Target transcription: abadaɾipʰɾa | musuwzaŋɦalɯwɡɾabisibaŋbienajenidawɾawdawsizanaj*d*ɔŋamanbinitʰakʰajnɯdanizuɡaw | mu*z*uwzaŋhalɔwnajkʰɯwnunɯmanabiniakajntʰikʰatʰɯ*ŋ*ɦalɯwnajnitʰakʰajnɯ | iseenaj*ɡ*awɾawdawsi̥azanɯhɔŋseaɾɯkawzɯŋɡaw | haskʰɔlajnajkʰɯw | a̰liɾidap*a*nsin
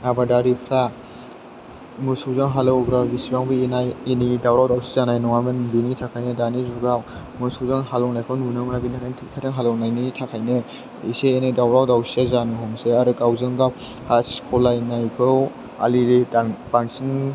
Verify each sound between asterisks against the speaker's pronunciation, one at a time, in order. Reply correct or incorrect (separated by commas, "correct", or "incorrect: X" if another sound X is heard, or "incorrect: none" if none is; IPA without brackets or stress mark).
incorrect: n, incorrect: s, correct, incorrect: d, correct